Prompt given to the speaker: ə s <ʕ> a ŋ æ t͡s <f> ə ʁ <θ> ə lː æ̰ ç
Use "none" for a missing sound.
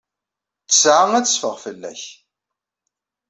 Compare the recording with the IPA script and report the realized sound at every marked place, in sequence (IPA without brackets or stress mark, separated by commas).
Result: ʕ, f, f